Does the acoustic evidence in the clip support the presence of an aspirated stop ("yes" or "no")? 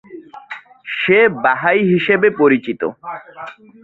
no